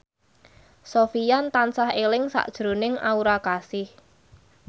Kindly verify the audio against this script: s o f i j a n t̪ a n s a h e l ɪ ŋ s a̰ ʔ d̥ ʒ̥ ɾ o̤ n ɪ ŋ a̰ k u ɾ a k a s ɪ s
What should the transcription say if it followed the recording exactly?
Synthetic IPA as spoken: s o f i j a n t̪ a n s a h e l ɪ ŋ s a̰ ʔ d̥ ʒ̥ ɾ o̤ n ɪ ŋ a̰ u ɾ a k a s ɪ h